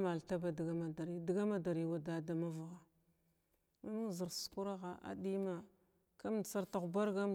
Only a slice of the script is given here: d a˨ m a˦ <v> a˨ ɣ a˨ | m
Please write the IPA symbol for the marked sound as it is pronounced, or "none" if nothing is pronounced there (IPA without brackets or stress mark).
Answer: v